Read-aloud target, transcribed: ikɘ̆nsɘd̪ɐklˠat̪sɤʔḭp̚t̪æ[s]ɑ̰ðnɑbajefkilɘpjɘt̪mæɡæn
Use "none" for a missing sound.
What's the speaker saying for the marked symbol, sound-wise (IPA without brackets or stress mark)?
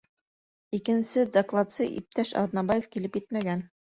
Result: ʃ